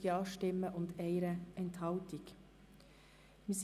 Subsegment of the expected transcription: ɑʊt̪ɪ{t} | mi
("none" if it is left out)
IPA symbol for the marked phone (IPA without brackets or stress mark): k